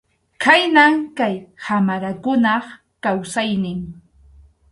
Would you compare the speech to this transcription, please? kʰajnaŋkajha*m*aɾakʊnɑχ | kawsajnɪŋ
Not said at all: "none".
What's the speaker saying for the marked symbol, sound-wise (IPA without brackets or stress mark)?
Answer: m